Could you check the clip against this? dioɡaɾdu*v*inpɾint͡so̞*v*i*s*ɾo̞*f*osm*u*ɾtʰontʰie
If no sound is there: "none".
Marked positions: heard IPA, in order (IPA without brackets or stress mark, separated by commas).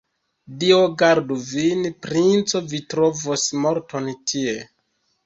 v, v, t, v, o